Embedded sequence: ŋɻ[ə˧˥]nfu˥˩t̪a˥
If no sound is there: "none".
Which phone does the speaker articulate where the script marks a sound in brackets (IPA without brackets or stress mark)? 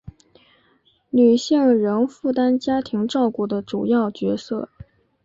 ə˧˥